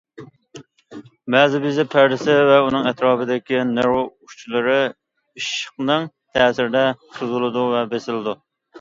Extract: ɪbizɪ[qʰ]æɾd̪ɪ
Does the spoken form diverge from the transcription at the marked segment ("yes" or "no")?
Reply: yes